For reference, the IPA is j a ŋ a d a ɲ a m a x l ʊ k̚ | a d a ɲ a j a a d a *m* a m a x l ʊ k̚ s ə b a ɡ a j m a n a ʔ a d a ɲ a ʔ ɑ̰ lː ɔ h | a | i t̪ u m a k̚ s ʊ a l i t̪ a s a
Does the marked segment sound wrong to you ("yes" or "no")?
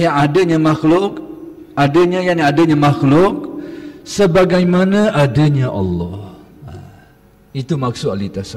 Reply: yes